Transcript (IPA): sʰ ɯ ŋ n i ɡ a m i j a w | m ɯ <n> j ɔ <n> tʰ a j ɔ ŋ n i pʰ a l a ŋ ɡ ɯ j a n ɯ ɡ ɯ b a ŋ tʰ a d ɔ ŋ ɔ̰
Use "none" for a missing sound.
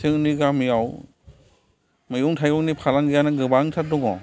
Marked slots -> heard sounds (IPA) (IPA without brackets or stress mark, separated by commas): none, ŋ